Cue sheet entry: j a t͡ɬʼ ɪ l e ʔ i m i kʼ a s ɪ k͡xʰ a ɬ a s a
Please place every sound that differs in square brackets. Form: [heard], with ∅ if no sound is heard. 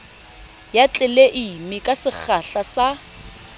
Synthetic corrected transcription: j a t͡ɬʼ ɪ l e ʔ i m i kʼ a s ɪ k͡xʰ a ɬ a s a